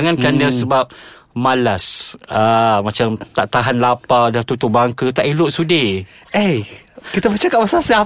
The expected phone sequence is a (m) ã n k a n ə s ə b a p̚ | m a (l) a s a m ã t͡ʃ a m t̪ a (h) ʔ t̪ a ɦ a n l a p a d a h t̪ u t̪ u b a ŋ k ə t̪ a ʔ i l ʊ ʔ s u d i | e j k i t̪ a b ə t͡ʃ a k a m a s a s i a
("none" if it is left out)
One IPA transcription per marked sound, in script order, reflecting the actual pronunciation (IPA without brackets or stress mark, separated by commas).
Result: ŋ, l, none